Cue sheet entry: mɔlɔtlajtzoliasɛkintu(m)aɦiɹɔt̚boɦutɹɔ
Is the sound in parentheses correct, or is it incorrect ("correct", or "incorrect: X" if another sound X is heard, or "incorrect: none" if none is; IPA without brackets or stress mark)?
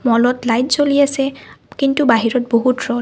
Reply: incorrect: b